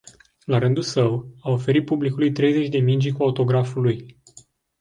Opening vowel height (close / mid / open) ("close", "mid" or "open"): open